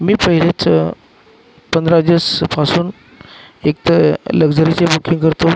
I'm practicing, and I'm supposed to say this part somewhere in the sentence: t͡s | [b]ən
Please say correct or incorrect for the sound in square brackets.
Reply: incorrect: p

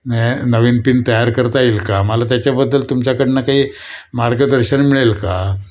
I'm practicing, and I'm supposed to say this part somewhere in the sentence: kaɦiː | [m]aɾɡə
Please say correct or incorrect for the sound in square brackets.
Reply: correct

